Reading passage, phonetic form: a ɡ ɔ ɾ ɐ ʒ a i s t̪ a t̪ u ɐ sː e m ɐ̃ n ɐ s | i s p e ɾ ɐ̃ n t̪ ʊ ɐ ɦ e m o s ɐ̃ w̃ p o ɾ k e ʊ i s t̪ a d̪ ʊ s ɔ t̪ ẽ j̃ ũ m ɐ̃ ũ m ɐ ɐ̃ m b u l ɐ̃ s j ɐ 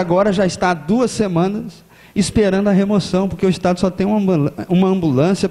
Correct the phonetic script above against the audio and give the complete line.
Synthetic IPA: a ɡ ɔ ɾ ɐ ʒ a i s t̪ a d̪ u ɐ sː e m ɐ̃ n ɐ s | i s p e ɾ ɐ̃ n d̪ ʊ ɐ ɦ e m o s ɐ̃ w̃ p o ɾ k e ʊ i s t̪ a d̪ ʊ s ɔ t̪ ẽ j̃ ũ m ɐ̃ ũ m ɐ ɐ̃ m b u l ɐ̃ s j ɐ